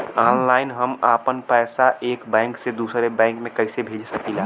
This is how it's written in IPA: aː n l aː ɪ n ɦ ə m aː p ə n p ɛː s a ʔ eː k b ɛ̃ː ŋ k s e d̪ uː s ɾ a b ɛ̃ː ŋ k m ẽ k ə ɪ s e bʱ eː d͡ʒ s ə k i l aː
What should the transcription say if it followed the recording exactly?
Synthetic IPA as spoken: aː n l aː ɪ n ɦ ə m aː p ə n p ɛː s a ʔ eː k b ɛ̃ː ŋ k s e d̪ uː s ɾ e b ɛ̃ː ŋ k m ẽ k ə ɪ s e bʱ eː d͡ʒ s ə k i l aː